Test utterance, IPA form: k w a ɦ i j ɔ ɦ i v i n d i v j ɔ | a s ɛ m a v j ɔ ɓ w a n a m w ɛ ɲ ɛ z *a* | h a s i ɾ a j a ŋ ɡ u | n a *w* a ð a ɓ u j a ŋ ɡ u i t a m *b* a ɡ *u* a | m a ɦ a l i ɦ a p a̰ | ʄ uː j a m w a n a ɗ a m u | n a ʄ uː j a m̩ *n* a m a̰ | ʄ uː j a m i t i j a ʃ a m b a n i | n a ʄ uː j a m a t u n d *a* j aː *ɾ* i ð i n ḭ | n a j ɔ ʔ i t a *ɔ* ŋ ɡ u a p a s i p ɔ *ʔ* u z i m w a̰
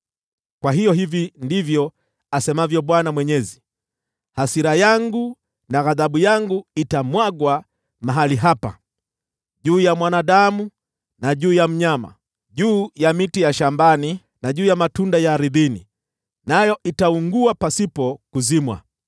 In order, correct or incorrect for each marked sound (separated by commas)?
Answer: incorrect, incorrect, incorrect, incorrect, incorrect, correct, correct, incorrect, incorrect